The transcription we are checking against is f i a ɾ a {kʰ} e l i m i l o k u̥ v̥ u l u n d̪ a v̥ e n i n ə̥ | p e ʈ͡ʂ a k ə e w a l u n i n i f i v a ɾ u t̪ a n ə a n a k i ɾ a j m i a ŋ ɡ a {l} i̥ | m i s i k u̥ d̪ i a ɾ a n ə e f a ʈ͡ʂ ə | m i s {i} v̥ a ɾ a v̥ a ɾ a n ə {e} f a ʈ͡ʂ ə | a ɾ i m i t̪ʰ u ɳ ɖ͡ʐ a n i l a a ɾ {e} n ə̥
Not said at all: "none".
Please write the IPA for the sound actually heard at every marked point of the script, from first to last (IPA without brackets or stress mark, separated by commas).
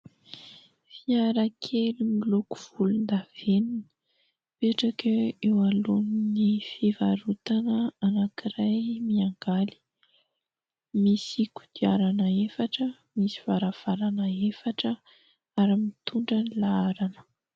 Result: kʰ, l, i, e, a